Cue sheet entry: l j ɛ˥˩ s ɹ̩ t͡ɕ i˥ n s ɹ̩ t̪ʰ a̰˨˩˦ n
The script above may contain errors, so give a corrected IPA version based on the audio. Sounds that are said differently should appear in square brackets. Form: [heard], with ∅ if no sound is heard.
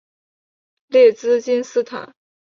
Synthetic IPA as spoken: l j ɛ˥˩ [t͡s] ɹ̩ t͡ɕ i˥ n s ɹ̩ t̪ʰ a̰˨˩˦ n

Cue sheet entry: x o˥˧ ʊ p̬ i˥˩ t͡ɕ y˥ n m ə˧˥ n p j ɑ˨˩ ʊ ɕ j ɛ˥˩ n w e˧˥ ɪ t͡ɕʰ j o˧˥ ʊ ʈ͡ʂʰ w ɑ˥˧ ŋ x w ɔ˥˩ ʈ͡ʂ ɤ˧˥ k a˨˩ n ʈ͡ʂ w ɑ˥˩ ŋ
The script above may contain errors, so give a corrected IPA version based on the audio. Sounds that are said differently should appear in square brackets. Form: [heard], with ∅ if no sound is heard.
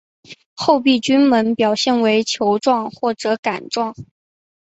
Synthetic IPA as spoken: x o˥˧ ʊ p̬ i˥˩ t͡ɕ y˥ n m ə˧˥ n p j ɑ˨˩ ʊ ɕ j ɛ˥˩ n w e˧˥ ɪ t͡ɕʰ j o˧˥ ʊ [ʈ͡ʂ] w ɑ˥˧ ŋ x w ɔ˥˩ ʈ͡ʂ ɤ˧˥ k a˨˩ n ʈ͡ʂ w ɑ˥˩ ŋ

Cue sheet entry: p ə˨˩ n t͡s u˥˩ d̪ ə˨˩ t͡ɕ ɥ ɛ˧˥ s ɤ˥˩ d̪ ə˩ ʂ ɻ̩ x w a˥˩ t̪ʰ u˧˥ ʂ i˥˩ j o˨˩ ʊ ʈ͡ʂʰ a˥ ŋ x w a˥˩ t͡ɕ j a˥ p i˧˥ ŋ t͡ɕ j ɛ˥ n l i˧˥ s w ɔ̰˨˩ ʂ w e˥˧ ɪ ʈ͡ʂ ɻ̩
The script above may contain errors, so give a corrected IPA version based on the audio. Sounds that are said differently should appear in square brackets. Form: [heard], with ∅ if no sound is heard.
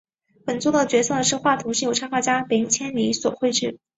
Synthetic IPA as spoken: p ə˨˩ n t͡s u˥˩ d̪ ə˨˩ t͡ɕ ɥ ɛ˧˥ s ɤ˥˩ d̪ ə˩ ʂ ɻ̩ x w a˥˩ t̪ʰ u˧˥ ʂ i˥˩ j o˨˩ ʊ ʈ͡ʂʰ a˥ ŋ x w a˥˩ t͡ɕ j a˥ p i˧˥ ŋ [t͡ɕʰ] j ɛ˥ n l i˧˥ s w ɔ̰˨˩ [x] w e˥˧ ɪ ʈ͡ʂ ɻ̩

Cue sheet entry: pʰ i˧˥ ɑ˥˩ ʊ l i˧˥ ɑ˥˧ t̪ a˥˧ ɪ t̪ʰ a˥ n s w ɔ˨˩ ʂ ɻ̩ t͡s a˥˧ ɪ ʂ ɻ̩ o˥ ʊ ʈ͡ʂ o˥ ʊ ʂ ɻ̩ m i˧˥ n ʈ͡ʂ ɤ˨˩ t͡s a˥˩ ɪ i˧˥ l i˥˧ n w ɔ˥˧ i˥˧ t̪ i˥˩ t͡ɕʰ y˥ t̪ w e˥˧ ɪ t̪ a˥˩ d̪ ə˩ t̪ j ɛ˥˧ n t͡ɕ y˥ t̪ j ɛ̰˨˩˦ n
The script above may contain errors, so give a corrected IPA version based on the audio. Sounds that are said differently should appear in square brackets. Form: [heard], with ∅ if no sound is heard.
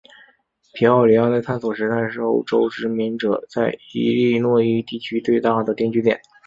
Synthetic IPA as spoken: pʰ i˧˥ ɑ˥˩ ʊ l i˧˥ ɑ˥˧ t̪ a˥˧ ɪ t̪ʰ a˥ n s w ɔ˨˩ ʂ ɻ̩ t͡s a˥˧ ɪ ʂ ɻ̩ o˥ ʊ ʈ͡ʂ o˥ ʊ [ʈ͡ʂ] ɻ̩ m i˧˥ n ʈ͡ʂ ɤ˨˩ t͡s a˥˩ ɪ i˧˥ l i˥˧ n w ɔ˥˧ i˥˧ t̪ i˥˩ t͡ɕʰ y˥ t̪ w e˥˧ ɪ t̪ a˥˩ d̪ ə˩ t̪ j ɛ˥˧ n t͡ɕ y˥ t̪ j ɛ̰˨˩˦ n

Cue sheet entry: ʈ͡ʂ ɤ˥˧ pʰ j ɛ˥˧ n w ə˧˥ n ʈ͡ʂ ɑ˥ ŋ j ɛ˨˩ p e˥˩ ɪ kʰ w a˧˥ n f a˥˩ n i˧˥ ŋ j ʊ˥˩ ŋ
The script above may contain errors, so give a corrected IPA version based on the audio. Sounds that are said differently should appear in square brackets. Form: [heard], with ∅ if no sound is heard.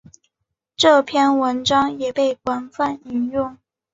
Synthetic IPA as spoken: ʈ͡ʂ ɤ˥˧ pʰ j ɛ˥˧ n w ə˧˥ n ʈ͡ʂ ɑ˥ ŋ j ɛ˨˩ p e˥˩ ɪ [k] w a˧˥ n f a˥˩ n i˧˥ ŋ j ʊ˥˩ ŋ

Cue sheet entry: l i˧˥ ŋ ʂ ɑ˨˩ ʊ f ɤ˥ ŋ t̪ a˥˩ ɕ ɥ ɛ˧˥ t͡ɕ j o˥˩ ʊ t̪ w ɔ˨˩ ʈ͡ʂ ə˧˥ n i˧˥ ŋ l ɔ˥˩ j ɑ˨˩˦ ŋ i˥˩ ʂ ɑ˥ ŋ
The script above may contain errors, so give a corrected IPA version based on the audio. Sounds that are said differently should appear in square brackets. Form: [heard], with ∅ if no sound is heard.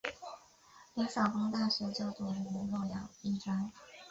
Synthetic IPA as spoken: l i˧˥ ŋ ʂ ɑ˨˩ ʊ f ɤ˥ ŋ t̪ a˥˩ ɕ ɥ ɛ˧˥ t͡ɕ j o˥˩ ʊ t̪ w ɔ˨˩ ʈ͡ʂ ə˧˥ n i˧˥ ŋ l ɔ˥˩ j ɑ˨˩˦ ŋ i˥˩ [ʈ͡ʂ] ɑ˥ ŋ

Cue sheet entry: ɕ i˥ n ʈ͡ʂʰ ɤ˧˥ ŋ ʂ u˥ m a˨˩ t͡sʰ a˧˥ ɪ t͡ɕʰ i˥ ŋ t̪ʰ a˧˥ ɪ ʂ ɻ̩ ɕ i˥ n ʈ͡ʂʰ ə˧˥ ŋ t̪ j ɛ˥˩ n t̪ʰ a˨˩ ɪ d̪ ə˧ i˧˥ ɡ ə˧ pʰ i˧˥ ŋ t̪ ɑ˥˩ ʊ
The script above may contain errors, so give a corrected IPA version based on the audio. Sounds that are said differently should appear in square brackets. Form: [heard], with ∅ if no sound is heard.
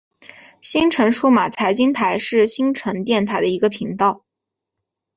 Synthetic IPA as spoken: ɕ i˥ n ʈ͡ʂʰ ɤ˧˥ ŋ ʂ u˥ m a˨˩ t͡sʰ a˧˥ ɪ [t͡ɕ] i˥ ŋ t̪ʰ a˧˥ ɪ ʂ ɻ̩ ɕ i˥ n ʈ͡ʂʰ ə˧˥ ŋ t̪ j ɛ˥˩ n t̪ʰ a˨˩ ɪ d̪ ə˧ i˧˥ ɡ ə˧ pʰ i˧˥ ŋ t̪ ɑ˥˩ ʊ

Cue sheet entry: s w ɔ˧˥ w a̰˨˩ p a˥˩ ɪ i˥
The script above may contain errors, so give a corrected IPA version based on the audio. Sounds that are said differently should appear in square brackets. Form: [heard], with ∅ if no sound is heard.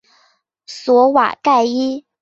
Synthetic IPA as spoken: s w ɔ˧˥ w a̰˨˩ [k] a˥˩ ɪ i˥

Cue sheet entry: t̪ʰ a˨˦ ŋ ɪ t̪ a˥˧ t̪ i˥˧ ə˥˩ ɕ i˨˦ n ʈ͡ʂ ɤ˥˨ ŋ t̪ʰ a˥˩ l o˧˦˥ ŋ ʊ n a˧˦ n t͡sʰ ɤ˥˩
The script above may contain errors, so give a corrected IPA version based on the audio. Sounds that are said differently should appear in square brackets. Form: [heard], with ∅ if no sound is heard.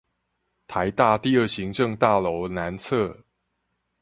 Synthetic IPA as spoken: t̪ʰ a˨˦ [∅] ɪ t̪ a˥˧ t̪ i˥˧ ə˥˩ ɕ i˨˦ [ŋ] ʈ͡ʂ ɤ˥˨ ŋ [t̪] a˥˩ l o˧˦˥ [∅] ʊ n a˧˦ n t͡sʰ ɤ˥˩

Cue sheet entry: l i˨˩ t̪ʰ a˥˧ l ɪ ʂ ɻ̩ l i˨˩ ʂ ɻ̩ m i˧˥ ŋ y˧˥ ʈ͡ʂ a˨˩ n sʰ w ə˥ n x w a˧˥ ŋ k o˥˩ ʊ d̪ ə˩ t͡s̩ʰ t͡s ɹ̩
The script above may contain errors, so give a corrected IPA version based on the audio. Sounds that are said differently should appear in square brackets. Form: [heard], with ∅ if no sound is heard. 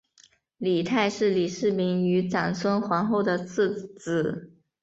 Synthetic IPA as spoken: l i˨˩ t̪ʰ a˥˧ [∅] ɪ ʂ ɻ̩ l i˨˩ ʂ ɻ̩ m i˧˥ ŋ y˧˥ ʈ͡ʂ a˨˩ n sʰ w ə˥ n x w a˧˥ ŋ [x] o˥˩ ʊ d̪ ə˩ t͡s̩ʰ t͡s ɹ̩

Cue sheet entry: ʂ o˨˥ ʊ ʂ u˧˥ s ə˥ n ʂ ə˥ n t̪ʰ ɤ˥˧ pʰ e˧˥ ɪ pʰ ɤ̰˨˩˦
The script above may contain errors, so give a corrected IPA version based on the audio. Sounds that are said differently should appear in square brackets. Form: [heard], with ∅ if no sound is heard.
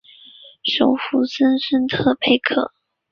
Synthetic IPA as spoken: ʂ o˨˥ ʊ [f] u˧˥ s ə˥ n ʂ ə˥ n t̪ʰ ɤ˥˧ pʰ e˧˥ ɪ [kʰ] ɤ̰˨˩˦

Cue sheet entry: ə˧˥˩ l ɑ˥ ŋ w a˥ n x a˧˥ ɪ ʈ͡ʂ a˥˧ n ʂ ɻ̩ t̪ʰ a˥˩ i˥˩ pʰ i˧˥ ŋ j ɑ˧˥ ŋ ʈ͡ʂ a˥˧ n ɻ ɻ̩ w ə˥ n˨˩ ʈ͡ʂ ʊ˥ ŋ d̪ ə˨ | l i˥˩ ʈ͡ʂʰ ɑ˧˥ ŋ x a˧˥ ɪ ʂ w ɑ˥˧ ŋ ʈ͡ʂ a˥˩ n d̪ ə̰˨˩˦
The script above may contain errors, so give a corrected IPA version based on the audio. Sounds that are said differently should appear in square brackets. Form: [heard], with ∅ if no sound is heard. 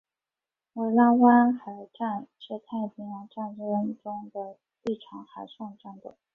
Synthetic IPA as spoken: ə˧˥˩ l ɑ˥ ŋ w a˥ n x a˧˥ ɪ ʈ͡ʂ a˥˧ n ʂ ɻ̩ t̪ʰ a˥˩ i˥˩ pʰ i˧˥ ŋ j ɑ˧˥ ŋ ʈ͡ʂ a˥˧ n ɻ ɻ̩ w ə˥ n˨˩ ʈ͡ʂ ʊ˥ ŋ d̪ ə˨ | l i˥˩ ʈ͡ʂʰ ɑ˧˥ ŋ x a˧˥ ɪ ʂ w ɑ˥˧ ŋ ʈ͡ʂ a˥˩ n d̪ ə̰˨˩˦

